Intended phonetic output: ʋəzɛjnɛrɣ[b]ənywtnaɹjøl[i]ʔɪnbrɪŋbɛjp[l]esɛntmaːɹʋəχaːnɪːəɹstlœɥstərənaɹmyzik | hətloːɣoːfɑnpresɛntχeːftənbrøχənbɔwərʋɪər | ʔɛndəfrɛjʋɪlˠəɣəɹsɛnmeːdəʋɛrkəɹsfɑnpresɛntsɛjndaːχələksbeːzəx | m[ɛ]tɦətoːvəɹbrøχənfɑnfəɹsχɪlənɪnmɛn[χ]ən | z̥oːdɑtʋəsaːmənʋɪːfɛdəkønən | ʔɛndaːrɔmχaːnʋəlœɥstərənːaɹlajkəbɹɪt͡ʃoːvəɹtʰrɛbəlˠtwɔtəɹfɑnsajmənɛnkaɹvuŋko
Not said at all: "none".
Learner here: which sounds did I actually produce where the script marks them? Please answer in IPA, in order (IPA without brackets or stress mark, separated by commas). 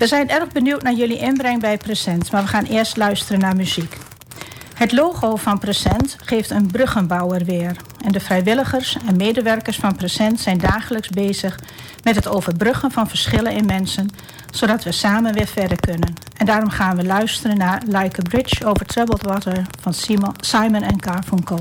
b, i, r, ɛ, s